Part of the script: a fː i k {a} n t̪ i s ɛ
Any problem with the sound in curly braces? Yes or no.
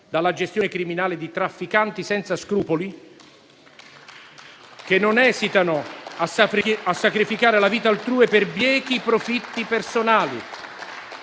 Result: no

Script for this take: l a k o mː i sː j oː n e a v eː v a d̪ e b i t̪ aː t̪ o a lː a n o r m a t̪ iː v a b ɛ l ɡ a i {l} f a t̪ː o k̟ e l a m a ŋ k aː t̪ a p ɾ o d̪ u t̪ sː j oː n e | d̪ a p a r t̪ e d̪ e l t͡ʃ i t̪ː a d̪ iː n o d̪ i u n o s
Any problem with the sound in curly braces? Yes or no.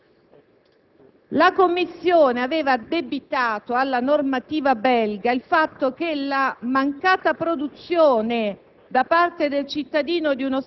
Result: no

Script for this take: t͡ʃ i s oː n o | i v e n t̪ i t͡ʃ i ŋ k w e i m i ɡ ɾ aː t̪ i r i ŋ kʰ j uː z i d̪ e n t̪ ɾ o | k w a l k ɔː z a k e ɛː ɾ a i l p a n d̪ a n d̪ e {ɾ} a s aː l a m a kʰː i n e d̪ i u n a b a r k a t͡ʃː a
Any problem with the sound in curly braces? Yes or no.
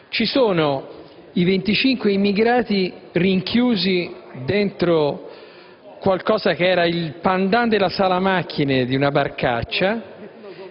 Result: yes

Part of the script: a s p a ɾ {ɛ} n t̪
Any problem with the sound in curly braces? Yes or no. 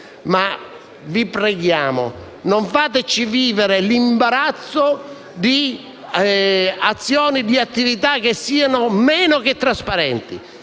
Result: no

